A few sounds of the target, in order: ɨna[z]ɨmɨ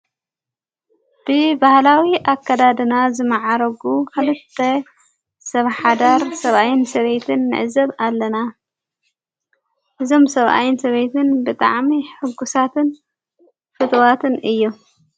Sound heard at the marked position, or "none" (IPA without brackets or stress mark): z